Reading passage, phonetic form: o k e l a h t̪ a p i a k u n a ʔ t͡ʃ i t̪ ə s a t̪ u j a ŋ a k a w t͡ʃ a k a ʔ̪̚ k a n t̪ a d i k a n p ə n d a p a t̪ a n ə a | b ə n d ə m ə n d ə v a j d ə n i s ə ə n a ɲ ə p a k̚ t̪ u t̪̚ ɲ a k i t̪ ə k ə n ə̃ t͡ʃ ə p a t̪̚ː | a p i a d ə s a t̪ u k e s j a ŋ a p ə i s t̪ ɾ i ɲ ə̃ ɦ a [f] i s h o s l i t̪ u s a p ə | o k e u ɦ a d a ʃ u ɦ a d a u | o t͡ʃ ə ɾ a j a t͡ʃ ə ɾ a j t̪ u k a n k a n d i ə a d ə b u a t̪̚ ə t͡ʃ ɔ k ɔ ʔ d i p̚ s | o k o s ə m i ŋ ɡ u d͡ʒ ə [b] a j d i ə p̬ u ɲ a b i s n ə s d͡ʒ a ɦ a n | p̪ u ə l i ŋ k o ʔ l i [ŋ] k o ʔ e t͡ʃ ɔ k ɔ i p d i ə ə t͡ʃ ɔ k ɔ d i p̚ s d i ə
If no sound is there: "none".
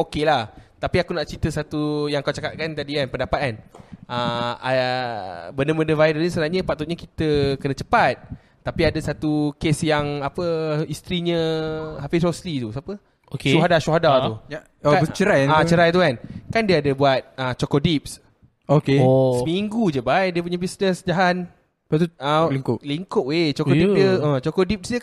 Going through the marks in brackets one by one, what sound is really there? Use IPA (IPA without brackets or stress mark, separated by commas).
f, b, ŋ